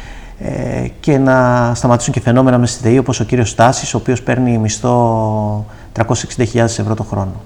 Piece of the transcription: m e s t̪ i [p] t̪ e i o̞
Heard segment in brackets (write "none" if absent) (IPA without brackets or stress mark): none